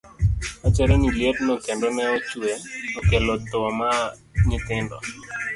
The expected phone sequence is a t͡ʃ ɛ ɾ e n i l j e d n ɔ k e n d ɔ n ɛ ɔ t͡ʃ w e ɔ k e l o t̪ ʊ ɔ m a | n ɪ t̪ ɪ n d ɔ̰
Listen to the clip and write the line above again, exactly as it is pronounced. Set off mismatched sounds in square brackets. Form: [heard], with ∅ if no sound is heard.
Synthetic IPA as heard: a t͡ʃ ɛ ɾ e n i l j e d n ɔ k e n d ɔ n ɛ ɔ t͡ʃ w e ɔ k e l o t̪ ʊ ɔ m a | [ɲ] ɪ t̪ ɪ n d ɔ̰